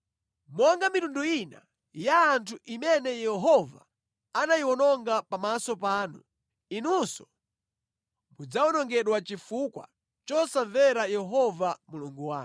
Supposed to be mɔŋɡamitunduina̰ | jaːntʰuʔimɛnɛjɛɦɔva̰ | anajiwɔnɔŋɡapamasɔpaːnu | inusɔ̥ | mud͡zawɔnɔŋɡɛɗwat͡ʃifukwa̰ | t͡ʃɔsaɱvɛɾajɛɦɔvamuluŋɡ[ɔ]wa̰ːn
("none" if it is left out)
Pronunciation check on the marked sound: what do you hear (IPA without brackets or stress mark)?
u